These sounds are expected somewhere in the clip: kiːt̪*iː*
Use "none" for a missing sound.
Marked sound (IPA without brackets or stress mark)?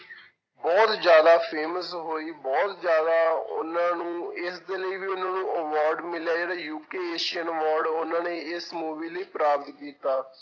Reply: aː